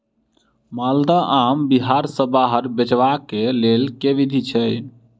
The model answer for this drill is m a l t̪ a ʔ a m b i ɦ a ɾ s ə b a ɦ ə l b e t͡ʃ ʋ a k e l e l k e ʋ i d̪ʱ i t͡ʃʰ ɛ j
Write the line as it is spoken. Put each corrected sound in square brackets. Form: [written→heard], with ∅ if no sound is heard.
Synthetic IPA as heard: m a l [t̪→d̪] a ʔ a m b i ɦ a ɾ s ə b a ɦ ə [l→ɾ] b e t͡ʃ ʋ a k e l e l k e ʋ i d̪ʱ i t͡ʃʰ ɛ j